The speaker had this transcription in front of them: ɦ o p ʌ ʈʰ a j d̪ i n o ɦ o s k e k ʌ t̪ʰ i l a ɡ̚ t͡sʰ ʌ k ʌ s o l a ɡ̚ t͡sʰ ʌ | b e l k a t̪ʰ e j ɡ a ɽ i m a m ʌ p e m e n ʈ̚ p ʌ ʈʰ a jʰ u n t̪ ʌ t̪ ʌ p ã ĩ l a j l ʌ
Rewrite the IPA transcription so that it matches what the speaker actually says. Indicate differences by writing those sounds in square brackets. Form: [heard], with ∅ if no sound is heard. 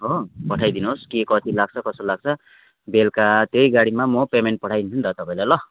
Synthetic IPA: ɦ o p ʌ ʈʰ a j d̪ i n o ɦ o s k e k ʌ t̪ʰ i l a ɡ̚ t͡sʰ ʌ k ʌ s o l a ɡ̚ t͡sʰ ʌ | b e l k a [t̪] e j ɡ a ɽ i m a m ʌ p e m e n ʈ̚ p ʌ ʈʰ a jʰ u n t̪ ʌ t̪ ʌ p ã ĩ l a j l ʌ